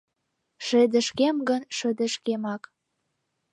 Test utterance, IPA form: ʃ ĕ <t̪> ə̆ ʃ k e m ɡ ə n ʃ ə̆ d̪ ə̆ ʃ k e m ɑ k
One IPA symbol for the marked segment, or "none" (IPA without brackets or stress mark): d̪